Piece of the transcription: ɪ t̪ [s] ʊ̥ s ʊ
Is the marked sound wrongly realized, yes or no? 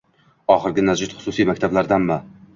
yes